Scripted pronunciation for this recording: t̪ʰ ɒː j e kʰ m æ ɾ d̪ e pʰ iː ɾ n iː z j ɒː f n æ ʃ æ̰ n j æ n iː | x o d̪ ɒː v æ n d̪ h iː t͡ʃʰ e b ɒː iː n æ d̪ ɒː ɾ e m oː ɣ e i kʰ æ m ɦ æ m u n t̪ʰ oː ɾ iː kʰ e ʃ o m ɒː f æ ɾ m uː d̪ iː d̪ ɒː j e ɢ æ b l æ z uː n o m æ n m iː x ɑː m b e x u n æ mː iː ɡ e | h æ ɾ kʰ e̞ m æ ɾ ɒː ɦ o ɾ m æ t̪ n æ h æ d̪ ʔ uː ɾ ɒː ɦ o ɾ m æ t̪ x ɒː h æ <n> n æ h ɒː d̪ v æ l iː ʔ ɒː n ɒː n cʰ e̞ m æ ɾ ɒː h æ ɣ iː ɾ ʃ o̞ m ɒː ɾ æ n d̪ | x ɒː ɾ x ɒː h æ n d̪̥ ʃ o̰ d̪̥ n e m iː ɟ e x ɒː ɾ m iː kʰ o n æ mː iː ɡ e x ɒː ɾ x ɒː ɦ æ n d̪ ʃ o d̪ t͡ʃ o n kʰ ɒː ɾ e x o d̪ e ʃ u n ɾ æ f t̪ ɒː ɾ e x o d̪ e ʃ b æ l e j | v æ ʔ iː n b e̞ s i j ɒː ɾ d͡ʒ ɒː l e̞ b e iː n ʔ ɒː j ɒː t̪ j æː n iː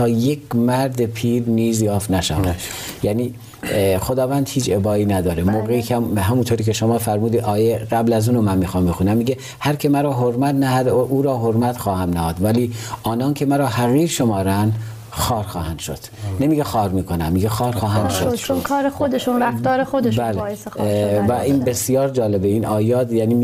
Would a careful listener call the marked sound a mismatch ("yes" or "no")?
yes